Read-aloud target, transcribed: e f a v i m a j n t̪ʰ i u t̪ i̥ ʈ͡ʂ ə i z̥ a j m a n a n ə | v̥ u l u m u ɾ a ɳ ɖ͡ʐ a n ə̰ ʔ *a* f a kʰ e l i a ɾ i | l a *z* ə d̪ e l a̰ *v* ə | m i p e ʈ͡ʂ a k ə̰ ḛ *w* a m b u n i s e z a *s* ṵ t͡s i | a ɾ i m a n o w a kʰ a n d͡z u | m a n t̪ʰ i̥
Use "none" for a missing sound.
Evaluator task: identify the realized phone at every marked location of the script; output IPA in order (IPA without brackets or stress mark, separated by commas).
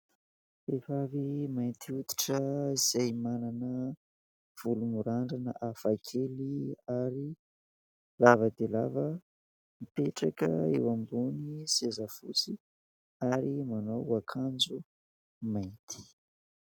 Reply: a, v, v, w, f